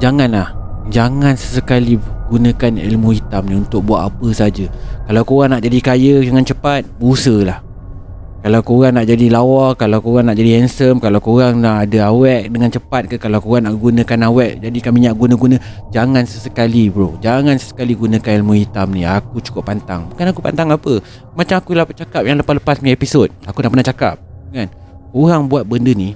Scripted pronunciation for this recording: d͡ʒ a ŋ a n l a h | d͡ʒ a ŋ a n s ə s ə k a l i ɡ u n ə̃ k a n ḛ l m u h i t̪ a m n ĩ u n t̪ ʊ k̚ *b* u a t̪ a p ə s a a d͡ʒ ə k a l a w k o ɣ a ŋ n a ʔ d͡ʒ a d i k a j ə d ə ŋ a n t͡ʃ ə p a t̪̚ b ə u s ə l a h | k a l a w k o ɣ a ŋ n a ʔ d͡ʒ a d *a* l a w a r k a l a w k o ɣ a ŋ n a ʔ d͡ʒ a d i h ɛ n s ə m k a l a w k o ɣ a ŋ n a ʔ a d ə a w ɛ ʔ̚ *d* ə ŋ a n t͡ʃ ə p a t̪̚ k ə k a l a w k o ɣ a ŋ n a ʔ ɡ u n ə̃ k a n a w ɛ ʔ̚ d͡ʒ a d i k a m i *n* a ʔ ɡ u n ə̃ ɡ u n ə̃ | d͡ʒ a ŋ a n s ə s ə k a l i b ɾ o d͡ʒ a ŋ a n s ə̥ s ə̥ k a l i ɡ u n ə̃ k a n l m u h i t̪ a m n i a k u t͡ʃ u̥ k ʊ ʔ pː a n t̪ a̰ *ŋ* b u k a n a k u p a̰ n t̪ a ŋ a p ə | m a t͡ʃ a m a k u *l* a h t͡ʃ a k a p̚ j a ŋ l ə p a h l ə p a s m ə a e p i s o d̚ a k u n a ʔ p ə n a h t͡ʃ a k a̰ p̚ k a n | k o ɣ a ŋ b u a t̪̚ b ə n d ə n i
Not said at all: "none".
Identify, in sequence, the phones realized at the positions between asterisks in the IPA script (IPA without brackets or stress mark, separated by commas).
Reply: b, i, d, ɲ, ŋ, l